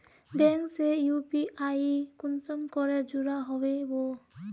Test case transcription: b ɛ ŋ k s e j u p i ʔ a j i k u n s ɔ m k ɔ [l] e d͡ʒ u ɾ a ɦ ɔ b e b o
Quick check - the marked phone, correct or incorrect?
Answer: incorrect: ɾ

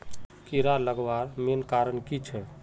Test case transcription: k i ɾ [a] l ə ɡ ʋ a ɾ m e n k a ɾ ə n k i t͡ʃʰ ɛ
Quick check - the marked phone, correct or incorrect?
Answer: correct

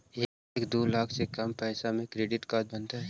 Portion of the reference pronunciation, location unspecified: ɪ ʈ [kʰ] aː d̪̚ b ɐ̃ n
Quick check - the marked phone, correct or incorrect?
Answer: incorrect: k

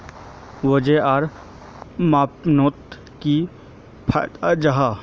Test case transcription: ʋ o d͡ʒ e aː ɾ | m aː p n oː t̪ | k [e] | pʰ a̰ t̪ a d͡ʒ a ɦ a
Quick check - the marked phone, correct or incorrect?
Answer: incorrect: i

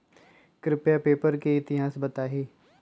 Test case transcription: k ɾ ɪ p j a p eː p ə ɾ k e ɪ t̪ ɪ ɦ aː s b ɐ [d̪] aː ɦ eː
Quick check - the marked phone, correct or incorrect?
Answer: incorrect: t̪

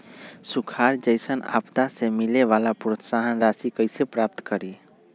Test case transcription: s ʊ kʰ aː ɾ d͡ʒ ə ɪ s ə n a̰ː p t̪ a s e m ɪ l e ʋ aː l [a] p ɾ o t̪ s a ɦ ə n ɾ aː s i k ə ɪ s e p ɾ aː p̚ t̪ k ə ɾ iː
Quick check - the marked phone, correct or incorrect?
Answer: correct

